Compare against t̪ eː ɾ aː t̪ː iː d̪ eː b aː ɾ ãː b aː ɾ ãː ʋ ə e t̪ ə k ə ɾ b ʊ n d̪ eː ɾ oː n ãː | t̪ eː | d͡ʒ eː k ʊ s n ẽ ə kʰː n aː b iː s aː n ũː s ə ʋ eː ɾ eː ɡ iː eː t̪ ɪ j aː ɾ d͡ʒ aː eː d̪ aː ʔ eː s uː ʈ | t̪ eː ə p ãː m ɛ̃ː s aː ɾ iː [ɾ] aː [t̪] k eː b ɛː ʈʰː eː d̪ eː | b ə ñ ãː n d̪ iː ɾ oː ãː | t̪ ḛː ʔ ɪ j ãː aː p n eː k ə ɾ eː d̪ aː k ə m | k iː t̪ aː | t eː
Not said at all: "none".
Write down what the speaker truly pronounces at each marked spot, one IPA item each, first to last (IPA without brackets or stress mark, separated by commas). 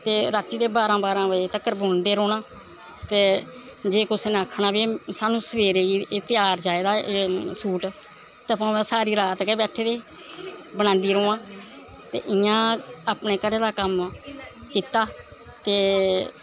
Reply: ɾ, t̪